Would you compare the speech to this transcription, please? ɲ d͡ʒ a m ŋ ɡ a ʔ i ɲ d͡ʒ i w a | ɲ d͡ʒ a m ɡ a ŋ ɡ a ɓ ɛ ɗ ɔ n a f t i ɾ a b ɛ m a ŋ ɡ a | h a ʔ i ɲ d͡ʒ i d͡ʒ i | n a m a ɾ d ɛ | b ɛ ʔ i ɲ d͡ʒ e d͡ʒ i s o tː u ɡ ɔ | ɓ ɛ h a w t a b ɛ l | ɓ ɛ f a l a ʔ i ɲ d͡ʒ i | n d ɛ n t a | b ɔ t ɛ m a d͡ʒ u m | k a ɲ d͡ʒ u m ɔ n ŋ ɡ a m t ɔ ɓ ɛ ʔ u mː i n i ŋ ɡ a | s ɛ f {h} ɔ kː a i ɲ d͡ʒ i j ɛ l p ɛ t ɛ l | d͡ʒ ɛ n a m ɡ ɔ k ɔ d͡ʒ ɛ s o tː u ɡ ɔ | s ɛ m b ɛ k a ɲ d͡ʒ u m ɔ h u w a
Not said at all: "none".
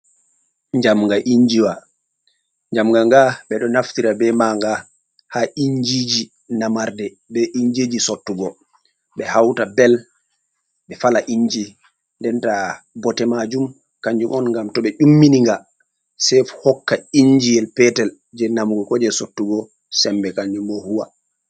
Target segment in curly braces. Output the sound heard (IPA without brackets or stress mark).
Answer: h